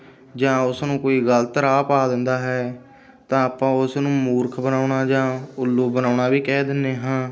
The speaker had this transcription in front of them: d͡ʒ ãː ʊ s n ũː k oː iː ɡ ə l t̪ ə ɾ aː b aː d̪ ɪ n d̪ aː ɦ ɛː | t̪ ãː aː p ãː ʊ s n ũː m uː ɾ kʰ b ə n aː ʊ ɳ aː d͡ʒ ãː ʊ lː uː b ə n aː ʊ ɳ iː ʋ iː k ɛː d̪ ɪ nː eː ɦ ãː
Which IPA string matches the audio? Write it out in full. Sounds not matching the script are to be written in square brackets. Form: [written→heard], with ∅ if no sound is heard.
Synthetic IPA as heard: d͡ʒ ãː ʊ s n ũː k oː iː ɡ ə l t̪ ə ɾ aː [b→p] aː d̪ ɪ n d̪ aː ɦ ɛː | t̪ ãː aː p ãː ʊ s n ũː m uː ɾ kʰ b ə n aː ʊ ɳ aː d͡ʒ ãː ʊ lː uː b ə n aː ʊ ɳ [iː→aː] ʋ iː k ɛː d̪ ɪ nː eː ɦ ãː